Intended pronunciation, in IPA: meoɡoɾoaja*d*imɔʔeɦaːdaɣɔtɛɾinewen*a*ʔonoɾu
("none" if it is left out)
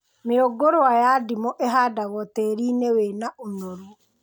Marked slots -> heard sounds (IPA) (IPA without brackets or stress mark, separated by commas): d, a